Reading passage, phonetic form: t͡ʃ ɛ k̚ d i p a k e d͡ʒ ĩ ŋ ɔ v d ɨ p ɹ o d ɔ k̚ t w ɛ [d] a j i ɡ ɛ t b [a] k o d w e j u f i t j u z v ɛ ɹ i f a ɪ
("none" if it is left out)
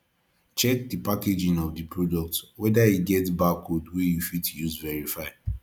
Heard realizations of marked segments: d, a

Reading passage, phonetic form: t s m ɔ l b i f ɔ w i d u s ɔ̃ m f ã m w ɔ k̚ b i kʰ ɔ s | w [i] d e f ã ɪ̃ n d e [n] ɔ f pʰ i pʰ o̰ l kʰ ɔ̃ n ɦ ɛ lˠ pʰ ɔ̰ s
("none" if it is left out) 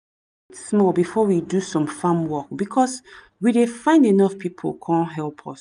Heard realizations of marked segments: i, n

